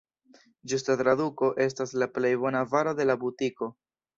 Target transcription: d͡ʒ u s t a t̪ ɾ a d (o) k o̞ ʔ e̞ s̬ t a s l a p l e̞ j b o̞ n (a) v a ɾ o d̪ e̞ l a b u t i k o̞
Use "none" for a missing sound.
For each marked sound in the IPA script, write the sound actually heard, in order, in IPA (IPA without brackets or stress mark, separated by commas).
u, a